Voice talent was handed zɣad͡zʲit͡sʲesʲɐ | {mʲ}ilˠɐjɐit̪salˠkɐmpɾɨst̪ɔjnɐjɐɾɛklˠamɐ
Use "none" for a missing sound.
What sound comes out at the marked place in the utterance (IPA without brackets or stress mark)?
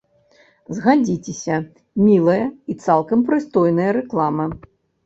mʲ